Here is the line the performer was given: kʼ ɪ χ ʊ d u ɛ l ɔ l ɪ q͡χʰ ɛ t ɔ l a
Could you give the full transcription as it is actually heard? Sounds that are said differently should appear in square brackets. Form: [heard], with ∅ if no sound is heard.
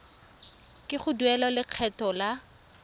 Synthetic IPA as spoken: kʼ ɪ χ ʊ d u ɛ l ɔ l ɪ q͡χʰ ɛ t ɔ l a